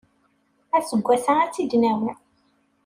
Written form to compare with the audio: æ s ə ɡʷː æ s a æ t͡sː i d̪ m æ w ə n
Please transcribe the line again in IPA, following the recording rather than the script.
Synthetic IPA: æ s ə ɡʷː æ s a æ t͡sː i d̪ n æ w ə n

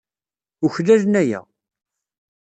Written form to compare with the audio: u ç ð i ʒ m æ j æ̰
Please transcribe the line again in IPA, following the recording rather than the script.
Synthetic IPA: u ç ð æ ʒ n æ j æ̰

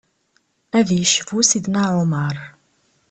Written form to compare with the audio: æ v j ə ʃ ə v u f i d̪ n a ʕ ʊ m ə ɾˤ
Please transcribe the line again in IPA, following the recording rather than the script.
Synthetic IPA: æ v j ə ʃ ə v u s i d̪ n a ʕ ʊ m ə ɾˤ

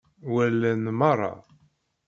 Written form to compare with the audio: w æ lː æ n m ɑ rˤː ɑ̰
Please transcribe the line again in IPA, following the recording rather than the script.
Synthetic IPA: w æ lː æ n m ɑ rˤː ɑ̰

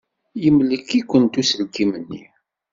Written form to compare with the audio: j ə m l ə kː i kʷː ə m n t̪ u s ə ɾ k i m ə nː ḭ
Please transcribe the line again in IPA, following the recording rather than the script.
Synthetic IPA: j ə m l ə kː i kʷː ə n t̪ u s ə l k i m ə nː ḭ

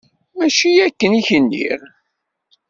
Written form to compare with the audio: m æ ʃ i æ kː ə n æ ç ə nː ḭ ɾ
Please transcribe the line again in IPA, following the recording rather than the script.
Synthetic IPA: m æ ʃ i æ kː ə n i ç ə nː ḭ ɾ

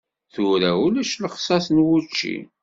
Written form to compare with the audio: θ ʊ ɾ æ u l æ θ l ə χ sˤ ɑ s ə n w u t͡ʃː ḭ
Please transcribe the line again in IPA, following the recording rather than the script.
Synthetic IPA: θ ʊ ɾ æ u l æ ʃ l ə χ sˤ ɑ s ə n w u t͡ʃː ḭ

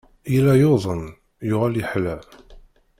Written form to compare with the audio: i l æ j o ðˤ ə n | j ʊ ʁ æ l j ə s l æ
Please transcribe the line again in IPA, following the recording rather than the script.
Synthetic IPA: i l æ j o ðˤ ə n | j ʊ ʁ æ l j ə ħ l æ

